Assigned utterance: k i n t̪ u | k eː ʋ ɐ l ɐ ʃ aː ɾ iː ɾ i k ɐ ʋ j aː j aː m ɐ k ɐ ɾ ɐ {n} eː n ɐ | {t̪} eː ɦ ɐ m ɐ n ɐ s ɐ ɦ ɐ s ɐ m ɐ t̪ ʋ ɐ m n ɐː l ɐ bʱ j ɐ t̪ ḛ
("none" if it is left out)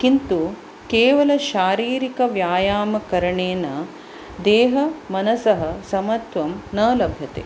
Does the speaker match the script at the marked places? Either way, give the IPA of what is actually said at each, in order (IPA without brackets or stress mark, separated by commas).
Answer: ɳ, d̪